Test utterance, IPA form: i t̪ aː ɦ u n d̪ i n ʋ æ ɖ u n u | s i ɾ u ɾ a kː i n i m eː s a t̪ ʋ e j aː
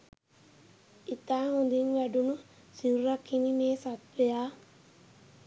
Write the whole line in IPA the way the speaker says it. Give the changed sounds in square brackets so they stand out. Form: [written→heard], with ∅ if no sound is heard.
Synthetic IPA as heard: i t̪ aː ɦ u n d̪ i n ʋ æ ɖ u n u | s i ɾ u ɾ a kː i n i m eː s a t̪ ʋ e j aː